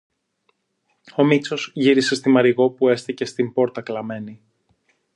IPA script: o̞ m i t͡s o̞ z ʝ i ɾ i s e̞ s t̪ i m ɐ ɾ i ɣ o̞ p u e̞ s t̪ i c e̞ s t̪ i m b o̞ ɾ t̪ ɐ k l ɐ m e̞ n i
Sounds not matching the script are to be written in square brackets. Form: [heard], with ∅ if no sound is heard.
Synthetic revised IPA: o̞ m i t͡s o̞ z ʝ i ɾ i s e̞ s t̪ i m ɐ ɾ i ɣ o̞ p u e̞ s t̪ i c e̞ s t̪ i m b o̞ ɾ t̪ ɐ k l ɐ m e̞ n i